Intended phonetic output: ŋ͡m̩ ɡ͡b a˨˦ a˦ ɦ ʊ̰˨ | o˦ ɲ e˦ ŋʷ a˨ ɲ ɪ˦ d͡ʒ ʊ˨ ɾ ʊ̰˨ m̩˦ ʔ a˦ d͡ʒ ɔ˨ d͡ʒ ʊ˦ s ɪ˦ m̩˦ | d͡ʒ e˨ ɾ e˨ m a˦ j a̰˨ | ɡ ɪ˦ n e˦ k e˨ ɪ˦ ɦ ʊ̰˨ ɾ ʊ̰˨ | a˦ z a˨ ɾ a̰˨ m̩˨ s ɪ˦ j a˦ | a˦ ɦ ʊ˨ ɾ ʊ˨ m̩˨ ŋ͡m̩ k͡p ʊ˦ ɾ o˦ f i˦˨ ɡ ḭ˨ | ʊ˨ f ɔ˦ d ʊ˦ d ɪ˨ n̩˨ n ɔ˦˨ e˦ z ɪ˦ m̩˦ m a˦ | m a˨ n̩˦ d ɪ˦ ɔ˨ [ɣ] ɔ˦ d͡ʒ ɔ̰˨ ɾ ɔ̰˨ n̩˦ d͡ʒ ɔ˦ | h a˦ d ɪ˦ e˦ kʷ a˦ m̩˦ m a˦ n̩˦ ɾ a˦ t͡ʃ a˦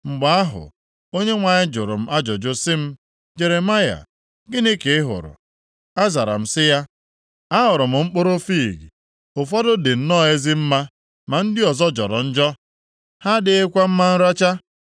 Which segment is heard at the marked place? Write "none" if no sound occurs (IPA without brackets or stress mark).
z